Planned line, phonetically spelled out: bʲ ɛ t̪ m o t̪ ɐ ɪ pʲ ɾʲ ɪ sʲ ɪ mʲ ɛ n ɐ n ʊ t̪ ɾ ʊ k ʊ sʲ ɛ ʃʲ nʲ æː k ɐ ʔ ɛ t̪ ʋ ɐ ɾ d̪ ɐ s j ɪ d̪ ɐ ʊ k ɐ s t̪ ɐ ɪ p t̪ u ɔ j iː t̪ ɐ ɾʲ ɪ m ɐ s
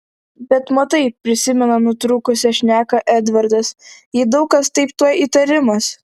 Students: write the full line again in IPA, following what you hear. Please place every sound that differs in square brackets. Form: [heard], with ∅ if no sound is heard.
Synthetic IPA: bʲ ɛ t̪ m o t̪ ɐ ɪ pʲ ɾʲ ɪ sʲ ɪ mʲ ɛ n ɐ n ʊ t̪ ɾ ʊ k ʊ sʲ ɛ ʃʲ nʲ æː k ɐ ʔ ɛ [d̪] ʋ ɐ ɾ d̪ ɐ s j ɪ d̪ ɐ ʊ k ɐ s t̪ ɐ ɪ p t̪ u ɔ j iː t̪ ɐ ɾʲ ɪ m ɐ s